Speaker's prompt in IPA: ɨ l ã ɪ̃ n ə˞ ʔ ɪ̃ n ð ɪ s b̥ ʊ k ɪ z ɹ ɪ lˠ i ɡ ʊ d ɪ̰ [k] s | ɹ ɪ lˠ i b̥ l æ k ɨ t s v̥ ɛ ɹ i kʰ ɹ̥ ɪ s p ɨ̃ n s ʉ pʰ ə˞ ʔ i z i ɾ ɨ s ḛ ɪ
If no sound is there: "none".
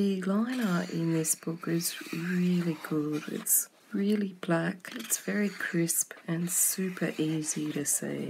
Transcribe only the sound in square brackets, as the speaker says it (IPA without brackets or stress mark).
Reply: t